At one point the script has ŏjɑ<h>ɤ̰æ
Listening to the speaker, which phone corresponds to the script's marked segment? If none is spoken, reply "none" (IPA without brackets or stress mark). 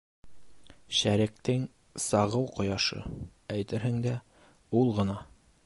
ʃ